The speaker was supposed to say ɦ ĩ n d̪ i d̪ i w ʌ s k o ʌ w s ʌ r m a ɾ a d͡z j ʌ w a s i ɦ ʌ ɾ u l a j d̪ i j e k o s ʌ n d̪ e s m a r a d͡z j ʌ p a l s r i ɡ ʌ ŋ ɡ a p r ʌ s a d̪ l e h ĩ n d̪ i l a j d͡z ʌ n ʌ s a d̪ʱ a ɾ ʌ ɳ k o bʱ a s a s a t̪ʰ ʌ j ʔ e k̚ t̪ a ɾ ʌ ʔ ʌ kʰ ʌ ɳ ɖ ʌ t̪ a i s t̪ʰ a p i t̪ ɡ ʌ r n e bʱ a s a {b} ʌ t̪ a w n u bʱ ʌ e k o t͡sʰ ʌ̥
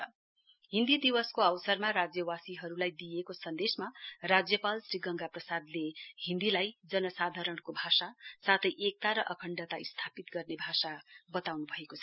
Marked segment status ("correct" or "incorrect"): correct